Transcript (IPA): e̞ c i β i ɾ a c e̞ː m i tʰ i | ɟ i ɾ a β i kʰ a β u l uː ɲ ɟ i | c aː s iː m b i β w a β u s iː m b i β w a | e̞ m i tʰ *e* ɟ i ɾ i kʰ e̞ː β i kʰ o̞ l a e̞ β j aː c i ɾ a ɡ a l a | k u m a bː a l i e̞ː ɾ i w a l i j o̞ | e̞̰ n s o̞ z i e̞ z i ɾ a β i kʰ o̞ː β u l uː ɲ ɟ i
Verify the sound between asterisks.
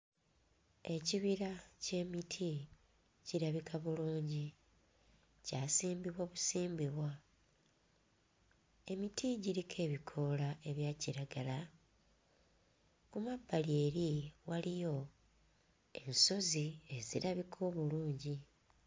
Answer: incorrect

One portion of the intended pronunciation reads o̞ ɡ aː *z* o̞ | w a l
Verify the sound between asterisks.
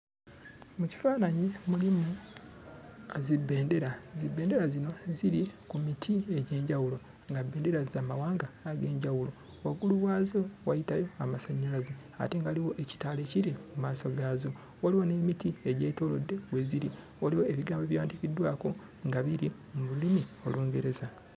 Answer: correct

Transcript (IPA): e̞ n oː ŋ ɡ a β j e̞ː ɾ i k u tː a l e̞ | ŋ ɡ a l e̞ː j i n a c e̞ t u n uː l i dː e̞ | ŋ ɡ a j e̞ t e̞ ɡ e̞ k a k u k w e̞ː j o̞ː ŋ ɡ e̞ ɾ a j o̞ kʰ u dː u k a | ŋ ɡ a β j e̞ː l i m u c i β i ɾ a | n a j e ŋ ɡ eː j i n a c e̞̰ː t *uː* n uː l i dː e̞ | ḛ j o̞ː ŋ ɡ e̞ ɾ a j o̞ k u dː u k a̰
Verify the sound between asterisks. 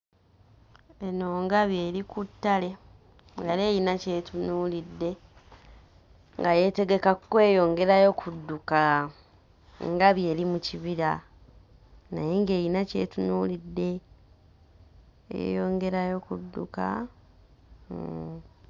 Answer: incorrect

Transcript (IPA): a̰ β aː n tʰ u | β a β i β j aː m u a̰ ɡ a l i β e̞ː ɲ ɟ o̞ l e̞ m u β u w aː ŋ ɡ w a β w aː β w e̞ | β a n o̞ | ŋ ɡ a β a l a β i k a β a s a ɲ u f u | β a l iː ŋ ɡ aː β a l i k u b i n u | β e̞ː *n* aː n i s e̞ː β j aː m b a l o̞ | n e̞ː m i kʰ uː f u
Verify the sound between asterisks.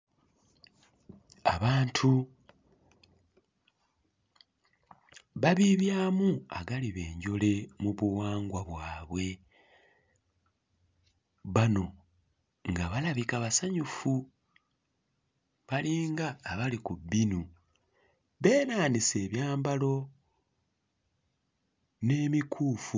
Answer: correct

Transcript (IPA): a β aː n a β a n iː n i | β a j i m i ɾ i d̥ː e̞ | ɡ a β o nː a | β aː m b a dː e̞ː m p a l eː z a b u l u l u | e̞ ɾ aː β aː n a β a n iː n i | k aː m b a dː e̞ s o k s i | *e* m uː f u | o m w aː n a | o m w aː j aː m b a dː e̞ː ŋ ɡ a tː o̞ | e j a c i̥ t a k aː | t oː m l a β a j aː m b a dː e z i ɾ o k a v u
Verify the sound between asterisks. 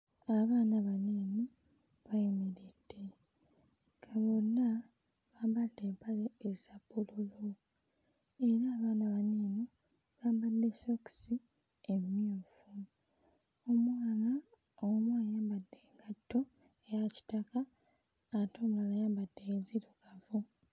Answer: correct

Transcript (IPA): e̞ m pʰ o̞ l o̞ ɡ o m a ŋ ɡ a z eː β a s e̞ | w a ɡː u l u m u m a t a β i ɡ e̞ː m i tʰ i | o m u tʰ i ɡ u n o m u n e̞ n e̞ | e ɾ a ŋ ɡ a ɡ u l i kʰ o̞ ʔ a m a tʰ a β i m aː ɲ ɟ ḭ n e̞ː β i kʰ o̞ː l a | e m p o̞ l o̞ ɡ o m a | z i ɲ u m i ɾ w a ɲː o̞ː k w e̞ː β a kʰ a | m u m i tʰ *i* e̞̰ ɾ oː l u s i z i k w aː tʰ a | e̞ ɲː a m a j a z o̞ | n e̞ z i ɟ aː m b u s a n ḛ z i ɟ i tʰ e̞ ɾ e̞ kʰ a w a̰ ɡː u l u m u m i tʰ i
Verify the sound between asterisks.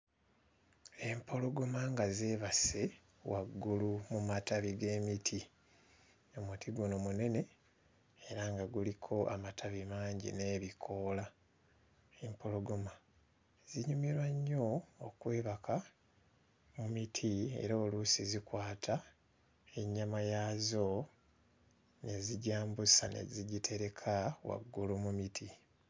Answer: correct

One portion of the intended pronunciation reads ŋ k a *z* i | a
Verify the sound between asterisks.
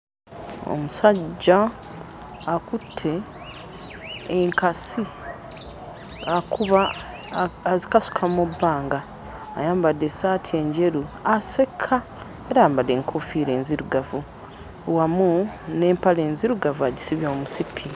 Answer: incorrect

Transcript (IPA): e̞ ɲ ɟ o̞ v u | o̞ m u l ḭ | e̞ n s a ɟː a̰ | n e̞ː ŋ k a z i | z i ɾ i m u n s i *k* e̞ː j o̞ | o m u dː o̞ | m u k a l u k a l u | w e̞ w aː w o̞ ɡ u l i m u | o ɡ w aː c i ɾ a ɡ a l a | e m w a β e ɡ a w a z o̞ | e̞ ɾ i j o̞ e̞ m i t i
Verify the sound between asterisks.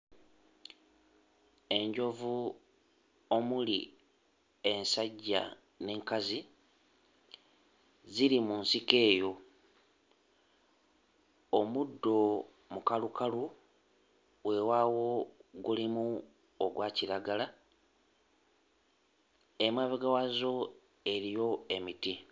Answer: correct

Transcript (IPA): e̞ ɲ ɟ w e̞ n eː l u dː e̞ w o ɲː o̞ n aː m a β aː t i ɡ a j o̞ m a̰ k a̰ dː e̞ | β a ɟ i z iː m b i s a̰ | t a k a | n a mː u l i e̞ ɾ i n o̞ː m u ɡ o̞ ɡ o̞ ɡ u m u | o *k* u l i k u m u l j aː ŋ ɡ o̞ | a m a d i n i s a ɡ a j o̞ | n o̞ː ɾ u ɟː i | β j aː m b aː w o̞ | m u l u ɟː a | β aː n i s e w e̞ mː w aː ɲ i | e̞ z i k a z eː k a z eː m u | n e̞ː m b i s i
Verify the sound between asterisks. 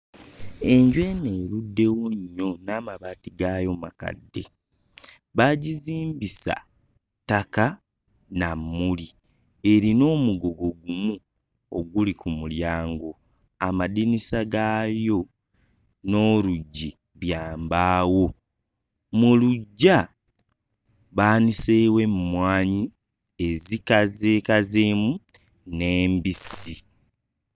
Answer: incorrect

